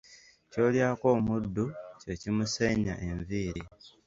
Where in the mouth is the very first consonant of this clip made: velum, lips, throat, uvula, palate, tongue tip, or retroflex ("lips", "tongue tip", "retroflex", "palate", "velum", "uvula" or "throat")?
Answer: palate